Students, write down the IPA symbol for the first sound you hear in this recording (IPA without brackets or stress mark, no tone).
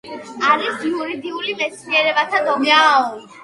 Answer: a